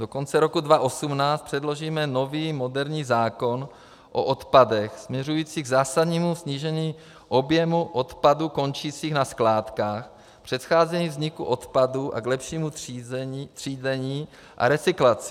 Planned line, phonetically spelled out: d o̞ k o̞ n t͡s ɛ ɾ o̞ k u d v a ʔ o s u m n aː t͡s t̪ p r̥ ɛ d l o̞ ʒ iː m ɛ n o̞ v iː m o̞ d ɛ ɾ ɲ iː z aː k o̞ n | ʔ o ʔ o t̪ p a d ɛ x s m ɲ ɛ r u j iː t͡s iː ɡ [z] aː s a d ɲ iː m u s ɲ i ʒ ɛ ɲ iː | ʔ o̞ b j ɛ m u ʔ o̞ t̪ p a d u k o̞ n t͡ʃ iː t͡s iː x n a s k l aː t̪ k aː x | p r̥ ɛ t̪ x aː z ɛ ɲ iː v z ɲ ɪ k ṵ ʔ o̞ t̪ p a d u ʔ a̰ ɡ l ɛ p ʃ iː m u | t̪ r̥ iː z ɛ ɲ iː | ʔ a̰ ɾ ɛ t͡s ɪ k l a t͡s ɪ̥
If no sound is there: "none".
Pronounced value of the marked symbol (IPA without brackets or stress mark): z